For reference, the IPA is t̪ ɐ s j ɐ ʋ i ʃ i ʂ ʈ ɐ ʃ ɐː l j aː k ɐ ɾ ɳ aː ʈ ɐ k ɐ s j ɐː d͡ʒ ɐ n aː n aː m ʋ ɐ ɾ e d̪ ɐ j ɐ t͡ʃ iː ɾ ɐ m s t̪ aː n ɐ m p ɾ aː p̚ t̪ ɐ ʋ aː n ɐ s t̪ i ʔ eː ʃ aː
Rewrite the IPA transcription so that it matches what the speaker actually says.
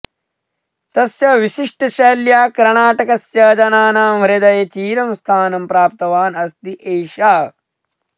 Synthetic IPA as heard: t̪ ɐ s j ɐ ʋ i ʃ i ʂ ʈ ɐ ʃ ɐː l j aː k ɐ ɾ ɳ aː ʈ ɐ k ɐ s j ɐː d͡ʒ ɐ n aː n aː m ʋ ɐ ɾ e d̪ ɐ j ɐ t͡ʃ iː ɾ ɐ m s t̪ʰ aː n ɐ m p ɾ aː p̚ t̪ ɐ ʋ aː n ɐ s t̪ i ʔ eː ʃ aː